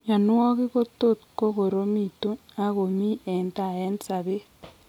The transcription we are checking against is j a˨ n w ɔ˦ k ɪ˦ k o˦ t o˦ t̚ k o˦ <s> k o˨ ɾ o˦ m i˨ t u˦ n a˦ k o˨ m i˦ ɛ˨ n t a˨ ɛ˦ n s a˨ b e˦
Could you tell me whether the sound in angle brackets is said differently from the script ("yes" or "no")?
yes